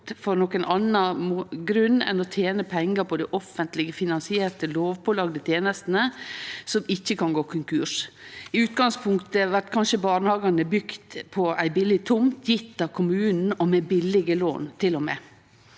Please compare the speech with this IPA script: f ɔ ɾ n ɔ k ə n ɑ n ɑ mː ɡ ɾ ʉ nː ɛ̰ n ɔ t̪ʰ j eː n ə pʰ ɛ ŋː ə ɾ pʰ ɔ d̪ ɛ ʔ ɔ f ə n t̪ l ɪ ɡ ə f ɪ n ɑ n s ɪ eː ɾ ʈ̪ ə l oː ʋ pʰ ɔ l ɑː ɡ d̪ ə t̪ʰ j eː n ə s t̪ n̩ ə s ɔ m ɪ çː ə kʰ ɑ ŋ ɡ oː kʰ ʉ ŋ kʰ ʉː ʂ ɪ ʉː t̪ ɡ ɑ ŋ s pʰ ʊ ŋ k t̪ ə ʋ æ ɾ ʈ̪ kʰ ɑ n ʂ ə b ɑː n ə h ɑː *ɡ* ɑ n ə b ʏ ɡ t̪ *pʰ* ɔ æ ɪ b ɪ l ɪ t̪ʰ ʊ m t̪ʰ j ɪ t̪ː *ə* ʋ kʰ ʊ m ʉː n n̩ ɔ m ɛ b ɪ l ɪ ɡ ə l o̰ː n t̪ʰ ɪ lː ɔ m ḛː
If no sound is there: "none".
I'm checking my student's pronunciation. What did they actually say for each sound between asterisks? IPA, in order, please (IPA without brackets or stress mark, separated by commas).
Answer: ɡ, pʰ, ɑ